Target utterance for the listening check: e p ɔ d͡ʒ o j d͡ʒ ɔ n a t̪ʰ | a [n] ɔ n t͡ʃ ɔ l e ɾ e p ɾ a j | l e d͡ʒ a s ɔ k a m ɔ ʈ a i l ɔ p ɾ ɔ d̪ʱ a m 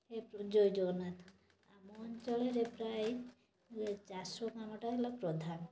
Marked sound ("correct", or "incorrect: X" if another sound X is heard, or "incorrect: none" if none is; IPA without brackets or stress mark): incorrect: m